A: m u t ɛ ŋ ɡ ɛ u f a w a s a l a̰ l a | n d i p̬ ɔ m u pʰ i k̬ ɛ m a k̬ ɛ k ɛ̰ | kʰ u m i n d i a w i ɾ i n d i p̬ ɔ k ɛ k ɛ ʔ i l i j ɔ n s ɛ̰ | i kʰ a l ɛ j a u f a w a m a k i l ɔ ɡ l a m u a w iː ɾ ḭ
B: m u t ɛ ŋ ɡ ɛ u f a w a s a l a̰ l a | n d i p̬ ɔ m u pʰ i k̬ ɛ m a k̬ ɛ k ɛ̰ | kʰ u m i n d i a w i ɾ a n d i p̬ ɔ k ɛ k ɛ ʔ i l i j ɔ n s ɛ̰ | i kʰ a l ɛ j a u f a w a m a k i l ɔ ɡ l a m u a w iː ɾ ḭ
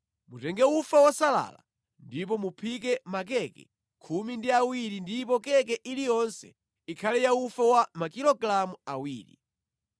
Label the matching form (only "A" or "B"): A